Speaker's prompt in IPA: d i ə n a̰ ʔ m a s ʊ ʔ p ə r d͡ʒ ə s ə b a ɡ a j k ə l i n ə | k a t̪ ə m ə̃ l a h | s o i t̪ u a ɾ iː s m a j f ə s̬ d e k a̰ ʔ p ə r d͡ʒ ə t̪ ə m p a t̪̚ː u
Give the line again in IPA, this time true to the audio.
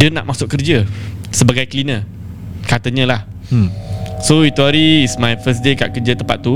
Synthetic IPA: d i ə n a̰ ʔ m a s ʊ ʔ k ə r d͡ʒ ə s ə b a ɡ a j k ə l i n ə | k a t̪ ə ɲ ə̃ l a h | s o i t̪ u a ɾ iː s m a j f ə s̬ d e k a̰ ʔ k ə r d͡ʒ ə t̪ ə m p a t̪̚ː u